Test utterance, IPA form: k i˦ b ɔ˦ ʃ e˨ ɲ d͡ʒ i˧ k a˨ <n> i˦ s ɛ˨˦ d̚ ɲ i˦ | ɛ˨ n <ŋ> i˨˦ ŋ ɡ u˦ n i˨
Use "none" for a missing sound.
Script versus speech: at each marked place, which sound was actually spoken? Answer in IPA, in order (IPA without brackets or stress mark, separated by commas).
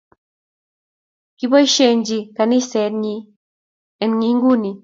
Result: n, ŋ